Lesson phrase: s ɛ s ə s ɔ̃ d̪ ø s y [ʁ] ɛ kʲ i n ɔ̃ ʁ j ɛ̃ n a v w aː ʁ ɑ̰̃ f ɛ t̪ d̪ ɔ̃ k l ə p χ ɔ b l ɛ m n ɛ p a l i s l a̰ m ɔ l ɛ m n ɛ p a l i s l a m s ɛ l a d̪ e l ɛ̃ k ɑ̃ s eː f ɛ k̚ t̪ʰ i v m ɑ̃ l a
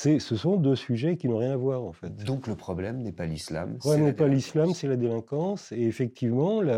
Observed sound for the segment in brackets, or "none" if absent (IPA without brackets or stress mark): ʒ